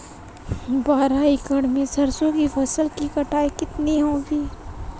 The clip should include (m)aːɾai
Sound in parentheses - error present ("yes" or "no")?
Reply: yes